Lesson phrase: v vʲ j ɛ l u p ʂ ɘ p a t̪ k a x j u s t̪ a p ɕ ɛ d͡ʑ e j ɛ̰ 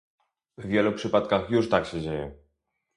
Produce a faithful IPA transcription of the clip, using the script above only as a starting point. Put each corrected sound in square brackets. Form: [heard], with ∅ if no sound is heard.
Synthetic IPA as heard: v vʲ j ɛ l u p ʂ ɘ p a t̪ k a x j u [ʂ] t̪ a [k] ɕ ɛ d͡ʑ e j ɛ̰